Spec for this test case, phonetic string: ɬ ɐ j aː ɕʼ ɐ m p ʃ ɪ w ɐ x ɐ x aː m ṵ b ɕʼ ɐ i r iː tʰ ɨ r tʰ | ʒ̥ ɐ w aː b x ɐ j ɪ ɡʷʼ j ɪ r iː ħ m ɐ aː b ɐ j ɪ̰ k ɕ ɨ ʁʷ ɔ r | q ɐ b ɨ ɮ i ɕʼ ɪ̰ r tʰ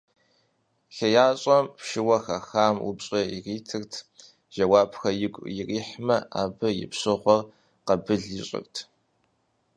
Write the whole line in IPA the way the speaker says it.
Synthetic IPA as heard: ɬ ɐ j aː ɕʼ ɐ m p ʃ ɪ w ɐ x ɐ x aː m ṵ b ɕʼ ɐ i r iː tʰ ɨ r tʰ | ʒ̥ ɐ w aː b x ɐ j ɪ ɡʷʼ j ɪ r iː ħ m ɐ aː b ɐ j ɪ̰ p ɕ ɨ ʁʷ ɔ r | q ɐ b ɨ ɮ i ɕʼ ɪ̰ r tʰ